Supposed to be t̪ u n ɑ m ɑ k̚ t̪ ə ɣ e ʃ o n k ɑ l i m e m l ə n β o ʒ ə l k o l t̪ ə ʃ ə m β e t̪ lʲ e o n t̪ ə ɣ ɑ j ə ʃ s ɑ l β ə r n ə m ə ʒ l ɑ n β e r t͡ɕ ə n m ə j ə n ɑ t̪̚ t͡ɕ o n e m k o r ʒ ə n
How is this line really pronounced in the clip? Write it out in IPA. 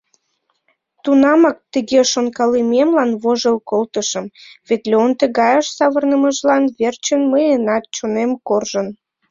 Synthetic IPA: t̪ u n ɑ m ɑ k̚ t̪ ə ɣ e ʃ o n k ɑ l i m e m l ɑ n β o ʒ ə l k o l t̪ ə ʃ ə m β e t̪ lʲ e o n t̪ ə ɣ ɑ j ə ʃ s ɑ β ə r n ə m ə ʒ l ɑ n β e r t͡ɕ ə n m ə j ə n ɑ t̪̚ t͡ɕ o n e m k o r ʒ ə n